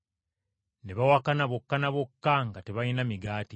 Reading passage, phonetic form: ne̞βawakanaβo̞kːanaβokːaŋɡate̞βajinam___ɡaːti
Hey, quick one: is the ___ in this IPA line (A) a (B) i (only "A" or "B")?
B